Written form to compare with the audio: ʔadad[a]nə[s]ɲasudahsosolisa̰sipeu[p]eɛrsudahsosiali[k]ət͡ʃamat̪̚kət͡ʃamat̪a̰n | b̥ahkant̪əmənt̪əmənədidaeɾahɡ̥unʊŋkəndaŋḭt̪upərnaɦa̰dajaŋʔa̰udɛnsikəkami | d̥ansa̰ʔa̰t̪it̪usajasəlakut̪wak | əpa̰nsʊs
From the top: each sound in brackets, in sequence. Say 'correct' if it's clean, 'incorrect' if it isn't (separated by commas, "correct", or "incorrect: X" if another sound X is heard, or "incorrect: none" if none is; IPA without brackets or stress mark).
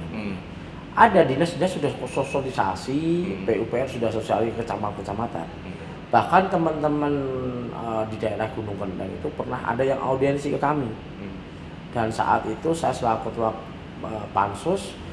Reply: incorrect: i, correct, correct, correct